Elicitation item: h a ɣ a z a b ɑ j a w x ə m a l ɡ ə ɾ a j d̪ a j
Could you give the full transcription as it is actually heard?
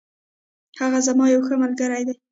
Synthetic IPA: h a ɣ a z a m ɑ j a w x ə m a l ɡ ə ɾ a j d̪ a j